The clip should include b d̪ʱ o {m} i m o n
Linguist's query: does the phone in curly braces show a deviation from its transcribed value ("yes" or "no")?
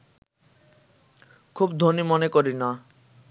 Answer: yes